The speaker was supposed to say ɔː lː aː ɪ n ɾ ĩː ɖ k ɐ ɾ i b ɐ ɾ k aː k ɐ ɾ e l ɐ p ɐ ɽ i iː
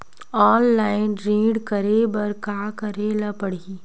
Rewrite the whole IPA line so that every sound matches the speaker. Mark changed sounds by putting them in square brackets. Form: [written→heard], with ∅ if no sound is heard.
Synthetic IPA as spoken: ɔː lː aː ɪ n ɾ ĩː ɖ k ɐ ɾ [i→e] b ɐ ɾ k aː k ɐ ɾ e l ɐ p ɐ ɽ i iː